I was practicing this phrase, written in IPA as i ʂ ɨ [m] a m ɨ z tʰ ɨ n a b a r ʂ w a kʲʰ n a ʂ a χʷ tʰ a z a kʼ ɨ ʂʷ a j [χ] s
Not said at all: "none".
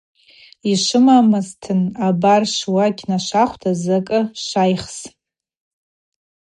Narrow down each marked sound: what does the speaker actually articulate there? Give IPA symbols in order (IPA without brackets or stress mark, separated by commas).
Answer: m, χ